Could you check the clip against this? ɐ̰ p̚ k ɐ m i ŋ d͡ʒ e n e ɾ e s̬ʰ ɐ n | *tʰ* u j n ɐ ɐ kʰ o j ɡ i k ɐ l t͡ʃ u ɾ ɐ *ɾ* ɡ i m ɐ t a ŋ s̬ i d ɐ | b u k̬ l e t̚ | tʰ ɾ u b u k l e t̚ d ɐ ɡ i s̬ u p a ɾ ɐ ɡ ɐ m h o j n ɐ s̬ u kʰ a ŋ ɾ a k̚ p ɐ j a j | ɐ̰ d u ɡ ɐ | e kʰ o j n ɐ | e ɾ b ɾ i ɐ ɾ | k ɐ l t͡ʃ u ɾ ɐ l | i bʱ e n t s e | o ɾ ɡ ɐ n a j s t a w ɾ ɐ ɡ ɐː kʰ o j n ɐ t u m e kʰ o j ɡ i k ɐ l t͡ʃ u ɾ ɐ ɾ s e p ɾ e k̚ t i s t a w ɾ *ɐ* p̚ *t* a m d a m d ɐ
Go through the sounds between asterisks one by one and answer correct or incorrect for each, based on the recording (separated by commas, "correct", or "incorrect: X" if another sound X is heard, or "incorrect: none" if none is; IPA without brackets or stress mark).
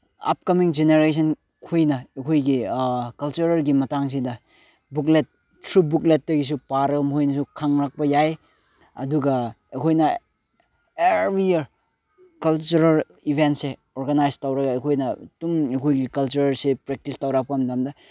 incorrect: kʰ, correct, incorrect: a, incorrect: k